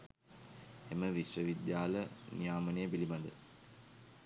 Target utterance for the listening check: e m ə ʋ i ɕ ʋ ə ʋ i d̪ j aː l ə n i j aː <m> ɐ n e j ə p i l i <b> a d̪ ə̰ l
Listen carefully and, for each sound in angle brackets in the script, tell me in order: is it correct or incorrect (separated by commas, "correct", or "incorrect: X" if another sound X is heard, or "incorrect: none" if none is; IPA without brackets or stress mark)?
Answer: correct, incorrect: m